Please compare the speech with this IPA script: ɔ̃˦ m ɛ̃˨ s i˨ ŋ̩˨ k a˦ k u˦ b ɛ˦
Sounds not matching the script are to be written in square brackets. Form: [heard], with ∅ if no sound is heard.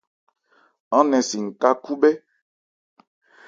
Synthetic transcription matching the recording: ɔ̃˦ [n] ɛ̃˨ s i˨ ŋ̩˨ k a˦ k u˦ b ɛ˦